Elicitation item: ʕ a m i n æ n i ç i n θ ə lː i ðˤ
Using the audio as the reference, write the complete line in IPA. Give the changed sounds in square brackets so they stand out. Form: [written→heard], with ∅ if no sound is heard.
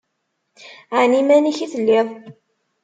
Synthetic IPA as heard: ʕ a [m→n] i [n→m] æ n i ç i [n→∅] θ ə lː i ðˤ